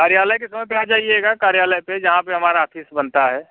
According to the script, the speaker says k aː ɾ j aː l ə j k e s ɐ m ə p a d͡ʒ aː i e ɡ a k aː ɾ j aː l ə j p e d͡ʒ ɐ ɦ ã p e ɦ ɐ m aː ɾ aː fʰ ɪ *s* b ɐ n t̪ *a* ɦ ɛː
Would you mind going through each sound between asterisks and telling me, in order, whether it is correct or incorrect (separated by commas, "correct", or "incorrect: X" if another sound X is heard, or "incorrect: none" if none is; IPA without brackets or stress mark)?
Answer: correct, correct